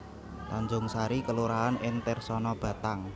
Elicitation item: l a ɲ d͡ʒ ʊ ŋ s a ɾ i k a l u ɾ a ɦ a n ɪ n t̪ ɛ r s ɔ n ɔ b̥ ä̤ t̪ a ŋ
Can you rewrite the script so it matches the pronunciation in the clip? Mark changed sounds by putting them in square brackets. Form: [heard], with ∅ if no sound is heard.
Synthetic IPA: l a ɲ d͡ʒ ʊ ŋ s a ɾ i k [ə] l u ɾ a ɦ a n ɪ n t̪ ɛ r s ɔ n ɔ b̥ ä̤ t̪ a ŋ

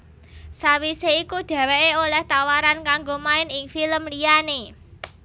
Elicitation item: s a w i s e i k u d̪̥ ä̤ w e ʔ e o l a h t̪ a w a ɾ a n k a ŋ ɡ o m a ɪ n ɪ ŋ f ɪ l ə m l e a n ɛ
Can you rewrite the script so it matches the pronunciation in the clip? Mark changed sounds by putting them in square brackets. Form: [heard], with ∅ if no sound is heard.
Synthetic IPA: s a w i s e i k u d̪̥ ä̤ w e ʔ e o l [ɛ] h t̪ a w a ɾ a n k a ŋ ɡ o m a ɪ n ɪ ŋ f [i] l ə m l [i] a n [e]

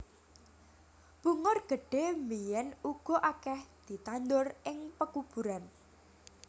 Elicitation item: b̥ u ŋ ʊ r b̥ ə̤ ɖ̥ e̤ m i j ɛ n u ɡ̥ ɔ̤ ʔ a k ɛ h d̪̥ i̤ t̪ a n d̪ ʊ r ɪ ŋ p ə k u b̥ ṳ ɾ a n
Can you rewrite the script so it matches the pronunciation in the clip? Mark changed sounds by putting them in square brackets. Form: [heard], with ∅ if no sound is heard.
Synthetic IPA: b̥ u ŋ ʊ r [ɡ̥] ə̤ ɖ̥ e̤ m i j ɛ n u ɡ̥ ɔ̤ ʔ a k ɛ h d̪̥ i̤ t̪ a n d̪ ʊ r ɪ ŋ p ə k u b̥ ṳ ɾ a n

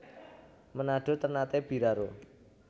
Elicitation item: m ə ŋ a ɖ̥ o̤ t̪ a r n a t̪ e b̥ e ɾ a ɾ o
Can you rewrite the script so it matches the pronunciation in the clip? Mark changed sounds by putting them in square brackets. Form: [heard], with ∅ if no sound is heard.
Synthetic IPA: m ə [n] a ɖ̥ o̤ t̪ [ə] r n a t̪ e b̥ [i] ɾ a ɾ o

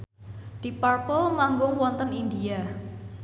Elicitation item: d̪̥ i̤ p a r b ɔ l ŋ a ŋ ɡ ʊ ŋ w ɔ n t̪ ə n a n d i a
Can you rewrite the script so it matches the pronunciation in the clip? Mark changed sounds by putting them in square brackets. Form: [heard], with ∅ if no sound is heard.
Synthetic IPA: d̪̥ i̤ p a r [p] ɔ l [m] a ŋ ɡ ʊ ŋ w ɔ n t̪ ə n [i] n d i a

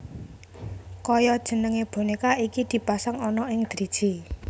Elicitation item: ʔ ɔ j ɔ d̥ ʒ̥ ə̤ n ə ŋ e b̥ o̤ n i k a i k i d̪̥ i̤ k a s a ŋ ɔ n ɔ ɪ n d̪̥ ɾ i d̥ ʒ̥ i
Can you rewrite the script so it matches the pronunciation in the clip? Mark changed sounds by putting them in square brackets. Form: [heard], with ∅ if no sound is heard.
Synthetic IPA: [k] ɔ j ɔ d̥ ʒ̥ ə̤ n ə ŋ e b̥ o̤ n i k a i k i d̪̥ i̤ [p] a s a ŋ ɔ n ɔ ɪ [ŋ] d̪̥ ɾ i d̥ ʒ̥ i

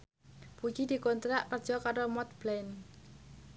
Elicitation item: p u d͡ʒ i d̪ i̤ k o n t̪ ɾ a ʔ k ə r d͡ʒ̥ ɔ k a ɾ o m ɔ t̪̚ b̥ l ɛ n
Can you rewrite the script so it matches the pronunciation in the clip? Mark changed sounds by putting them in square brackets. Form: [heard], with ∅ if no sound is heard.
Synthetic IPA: p u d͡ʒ i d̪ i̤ k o n t̪ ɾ a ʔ k ə r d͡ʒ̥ ɔ k a ɾ o m ɔ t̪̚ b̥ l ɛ n

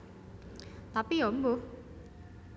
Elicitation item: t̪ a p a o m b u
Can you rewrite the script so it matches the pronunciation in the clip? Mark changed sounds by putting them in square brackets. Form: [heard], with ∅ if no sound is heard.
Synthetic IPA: t̪ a p [i] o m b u

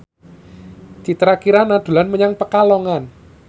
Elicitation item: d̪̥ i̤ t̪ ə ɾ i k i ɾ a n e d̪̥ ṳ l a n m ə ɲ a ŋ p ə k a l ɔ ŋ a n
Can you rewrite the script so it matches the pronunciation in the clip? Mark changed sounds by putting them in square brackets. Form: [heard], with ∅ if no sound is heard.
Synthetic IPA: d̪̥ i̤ t̪ ə ɾ [a] k i ɾ a n [a] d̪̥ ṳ l a n m ə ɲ a ŋ p ə k a l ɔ ŋ a n

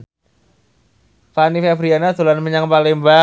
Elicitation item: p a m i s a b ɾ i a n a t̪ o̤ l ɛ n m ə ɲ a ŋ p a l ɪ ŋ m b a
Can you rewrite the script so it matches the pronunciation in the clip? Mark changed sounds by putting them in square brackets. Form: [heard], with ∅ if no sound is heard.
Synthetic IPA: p a [n] i [f] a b ɾ i a n a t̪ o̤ l [a] n m ə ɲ a ŋ p a l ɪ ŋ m b a

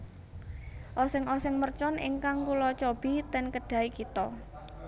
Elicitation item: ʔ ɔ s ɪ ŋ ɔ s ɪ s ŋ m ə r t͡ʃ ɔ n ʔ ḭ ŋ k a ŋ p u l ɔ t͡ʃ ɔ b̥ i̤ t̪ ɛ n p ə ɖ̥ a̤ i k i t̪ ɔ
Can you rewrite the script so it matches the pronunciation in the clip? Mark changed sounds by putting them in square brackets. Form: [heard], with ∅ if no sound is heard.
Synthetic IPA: ʔ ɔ s ɪ ŋ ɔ s ɪ [∅] ŋ m ə r t͡ʃ ɔ n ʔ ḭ ŋ k a ŋ [k] u l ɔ t͡ʃ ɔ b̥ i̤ t̪ ɛ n [k] ə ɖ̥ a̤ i k i t̪ ɔ

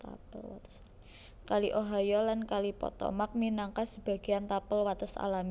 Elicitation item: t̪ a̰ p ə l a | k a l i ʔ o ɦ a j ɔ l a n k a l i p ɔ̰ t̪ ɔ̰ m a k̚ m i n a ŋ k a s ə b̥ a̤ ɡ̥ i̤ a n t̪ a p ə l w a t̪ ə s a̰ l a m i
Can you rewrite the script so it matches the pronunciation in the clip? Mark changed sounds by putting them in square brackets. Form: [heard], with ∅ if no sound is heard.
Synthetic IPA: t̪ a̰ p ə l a | k a l i ʔ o ɦ a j ɔ l a n k a l i p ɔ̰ t̪ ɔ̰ m a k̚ m i n a ŋ k a s ə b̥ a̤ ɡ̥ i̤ a n t̪ a p ə l w a t̪ ə s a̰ l a m i

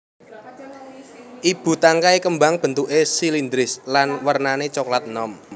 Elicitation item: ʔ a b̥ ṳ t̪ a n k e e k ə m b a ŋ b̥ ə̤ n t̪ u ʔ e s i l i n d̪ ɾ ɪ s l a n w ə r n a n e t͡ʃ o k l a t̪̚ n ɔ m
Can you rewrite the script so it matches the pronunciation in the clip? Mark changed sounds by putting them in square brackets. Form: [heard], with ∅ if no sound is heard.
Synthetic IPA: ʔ [i] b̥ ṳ t̪ a [ŋ] k [a] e k ə m b a ŋ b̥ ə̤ n t̪ u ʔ e s i l i n d̪ ɾ ɪ s l a n w ə r n a n e t͡ʃ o k l a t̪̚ n ɔ m

